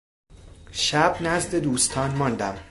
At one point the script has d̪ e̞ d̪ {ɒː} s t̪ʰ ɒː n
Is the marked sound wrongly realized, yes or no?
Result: yes